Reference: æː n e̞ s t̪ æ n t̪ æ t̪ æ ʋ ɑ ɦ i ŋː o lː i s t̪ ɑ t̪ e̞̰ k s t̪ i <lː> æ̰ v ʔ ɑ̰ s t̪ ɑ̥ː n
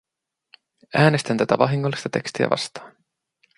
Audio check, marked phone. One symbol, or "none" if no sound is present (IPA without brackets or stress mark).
none